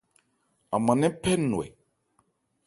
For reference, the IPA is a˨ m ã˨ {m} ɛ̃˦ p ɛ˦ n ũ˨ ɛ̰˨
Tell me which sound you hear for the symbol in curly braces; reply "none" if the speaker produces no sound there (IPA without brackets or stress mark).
n